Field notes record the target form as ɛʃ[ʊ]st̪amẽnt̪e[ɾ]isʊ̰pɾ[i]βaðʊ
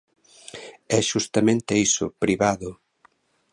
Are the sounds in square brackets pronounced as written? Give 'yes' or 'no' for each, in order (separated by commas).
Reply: no, no, yes